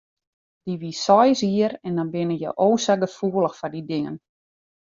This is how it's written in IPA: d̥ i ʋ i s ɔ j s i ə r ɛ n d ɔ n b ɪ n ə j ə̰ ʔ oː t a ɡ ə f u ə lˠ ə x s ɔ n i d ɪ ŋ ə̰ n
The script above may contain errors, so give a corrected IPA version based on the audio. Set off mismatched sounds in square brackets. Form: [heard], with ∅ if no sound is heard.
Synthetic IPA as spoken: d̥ i ʋ i s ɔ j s i ə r ɛ n d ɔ n b ɪ n ə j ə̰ ʔ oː [s] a ɡ ə f u ə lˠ ə x [f] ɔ [d] i d ɪ ŋ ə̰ n